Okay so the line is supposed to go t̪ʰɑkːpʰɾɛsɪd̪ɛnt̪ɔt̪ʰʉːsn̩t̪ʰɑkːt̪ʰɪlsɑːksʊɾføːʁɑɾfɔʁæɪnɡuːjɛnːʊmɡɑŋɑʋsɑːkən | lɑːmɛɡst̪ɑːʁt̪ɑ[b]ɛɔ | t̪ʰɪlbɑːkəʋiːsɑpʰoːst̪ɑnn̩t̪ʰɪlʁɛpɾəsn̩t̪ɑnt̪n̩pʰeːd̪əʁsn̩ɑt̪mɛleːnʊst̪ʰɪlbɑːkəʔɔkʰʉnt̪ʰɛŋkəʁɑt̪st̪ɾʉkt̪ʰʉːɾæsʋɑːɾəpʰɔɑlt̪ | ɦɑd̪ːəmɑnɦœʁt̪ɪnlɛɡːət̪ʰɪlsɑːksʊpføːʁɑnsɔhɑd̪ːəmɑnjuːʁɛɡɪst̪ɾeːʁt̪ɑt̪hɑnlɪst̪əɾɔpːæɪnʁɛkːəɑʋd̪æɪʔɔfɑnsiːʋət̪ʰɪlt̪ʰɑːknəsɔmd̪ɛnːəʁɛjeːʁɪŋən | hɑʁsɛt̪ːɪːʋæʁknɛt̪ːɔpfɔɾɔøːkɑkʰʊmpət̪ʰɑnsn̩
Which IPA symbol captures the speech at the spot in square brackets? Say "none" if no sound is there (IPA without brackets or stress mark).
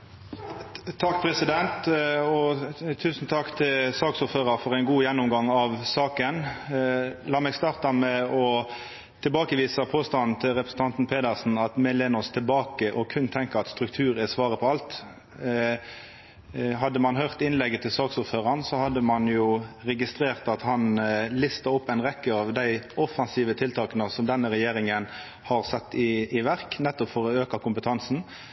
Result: m